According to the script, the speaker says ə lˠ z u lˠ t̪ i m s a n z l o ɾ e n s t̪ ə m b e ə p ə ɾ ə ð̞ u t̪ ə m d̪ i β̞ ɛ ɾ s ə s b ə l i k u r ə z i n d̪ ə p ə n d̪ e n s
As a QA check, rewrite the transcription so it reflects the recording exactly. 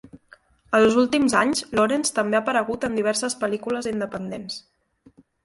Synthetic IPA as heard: ə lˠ z u lˠ t̪ i m z a ɲ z l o ɾ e n s t̪ ə m b e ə p ə ɾ ə ɣ̞ u t̪ ə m d̪ i β̞ ɛ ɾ s ə s p ə l i k u l ə z i n d̪ ə p ə n d̪ e n s